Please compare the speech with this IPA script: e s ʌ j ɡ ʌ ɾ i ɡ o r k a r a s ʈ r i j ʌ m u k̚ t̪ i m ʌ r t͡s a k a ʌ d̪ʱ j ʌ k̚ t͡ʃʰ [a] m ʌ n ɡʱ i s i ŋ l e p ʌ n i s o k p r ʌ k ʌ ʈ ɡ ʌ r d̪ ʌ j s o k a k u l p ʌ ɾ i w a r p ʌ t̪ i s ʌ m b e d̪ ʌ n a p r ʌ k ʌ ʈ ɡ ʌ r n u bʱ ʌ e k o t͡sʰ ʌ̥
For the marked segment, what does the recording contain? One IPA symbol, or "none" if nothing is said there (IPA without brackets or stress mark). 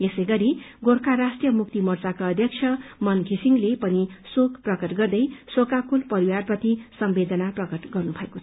ʌ